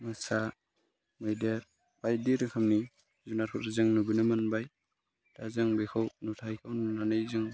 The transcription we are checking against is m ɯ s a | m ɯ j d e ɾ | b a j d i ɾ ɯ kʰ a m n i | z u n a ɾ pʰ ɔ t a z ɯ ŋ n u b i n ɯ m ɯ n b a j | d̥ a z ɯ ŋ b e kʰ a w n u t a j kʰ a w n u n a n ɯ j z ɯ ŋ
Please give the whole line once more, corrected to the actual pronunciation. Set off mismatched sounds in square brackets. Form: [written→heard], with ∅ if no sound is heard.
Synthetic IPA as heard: m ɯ s a | m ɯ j d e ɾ | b a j d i ɾ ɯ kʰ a m n i | z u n a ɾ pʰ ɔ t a z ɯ ŋ n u b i n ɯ m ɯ n b a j | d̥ a z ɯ ŋ b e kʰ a w n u [t→tʰ] a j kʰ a w n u n a n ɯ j z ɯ ŋ